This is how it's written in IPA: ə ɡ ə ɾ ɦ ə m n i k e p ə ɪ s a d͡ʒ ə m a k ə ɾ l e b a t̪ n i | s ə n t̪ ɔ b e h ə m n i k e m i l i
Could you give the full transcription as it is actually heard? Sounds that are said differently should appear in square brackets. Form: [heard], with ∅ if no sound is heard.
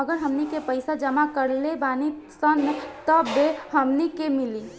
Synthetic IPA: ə ɡ ə ɾ ɦ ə m n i k e p ə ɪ s a d͡ʒ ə m a k ə ɾ l e b a [∅] n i | s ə n t̪ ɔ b e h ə m n i k e m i l i